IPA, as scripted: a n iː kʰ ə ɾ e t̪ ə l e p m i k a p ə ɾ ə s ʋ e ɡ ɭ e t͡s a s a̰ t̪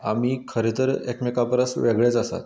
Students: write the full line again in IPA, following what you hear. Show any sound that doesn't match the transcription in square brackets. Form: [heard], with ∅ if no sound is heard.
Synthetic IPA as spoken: a [m] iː kʰ ə ɾ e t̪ ə [ɾ] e [k] m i k a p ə ɾ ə s ʋ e ɡ ɭ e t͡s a s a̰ t̪